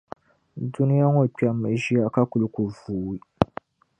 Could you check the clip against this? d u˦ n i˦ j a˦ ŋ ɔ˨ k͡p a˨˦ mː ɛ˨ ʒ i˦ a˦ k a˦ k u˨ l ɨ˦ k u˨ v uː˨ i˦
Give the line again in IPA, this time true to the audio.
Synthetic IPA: d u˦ n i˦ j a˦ ŋ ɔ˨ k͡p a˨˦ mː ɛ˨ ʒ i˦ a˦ k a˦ k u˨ l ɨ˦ k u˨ v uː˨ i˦

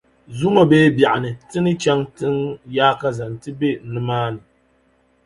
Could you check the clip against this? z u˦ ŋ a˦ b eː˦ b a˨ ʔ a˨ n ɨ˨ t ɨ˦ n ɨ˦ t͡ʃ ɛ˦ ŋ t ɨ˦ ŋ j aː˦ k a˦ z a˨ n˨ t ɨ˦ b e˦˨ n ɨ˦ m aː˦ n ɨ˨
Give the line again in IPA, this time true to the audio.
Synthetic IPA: z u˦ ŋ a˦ b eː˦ b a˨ ʔ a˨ n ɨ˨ t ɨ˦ n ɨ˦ t͡ʃ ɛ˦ ŋ t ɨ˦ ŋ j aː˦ k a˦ z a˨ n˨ t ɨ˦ b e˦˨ n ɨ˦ m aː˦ n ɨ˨

